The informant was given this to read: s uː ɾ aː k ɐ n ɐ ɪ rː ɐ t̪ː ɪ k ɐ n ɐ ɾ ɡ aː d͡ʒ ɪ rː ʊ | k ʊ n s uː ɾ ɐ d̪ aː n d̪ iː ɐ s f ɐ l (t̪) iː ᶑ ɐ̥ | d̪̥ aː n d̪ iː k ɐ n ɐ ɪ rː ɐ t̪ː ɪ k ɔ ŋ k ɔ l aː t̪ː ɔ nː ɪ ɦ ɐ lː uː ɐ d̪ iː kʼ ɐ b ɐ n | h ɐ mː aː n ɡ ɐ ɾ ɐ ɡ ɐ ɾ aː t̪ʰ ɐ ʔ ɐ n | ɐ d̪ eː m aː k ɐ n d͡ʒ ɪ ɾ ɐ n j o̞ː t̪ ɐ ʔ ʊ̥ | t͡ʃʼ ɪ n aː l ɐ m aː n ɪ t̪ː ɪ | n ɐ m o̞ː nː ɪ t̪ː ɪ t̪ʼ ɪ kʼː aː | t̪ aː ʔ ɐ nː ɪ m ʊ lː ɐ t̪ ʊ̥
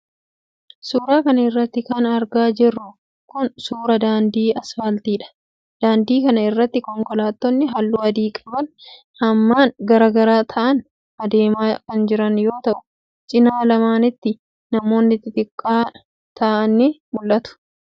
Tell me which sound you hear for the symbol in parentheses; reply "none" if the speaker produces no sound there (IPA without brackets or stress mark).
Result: t̪